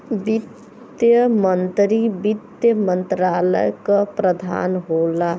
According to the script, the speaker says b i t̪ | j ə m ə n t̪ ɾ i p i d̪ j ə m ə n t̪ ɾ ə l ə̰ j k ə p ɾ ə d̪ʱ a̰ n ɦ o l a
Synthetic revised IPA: b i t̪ | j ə m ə n t̪ ɾ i b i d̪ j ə m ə n t̪ ɾ a l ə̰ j k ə p ɾ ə d̪ʱ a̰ n ɦ o l a